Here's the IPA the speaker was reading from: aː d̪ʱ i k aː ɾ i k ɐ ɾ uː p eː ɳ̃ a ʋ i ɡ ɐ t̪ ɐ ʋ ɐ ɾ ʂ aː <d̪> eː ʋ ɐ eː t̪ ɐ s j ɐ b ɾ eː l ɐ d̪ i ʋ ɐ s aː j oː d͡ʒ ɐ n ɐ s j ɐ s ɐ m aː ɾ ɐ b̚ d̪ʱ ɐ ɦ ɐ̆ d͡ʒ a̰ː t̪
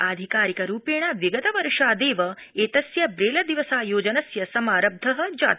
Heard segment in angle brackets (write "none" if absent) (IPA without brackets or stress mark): d̪